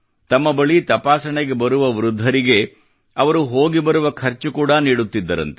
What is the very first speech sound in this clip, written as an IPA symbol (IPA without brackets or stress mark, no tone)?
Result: t̪